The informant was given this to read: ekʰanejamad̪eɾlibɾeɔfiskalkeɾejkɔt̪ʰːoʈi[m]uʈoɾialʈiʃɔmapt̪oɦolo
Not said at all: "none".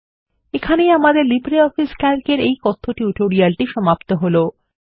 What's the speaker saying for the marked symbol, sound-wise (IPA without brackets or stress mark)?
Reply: none